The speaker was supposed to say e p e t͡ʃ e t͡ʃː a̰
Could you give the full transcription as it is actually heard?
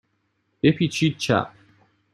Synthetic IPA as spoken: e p i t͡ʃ i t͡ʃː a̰

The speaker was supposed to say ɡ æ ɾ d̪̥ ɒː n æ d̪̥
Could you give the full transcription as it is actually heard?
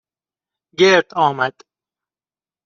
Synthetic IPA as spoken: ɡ e ɾ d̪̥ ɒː m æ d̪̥

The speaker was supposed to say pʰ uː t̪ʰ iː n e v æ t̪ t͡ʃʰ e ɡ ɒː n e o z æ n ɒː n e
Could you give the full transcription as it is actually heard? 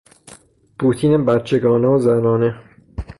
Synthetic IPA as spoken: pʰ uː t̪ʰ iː n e b æ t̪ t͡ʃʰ e ɡ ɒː n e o z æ n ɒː n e

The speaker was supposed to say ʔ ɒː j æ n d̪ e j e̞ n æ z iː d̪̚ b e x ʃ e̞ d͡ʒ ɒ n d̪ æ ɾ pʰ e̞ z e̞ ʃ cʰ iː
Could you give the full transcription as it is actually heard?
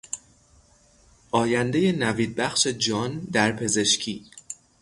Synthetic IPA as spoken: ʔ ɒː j æ n d̪ e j e̞ n æ v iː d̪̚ b æ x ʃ e̞ d͡ʒ ɒː n d̪ æ ɾ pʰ e̞ z e̞ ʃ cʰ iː

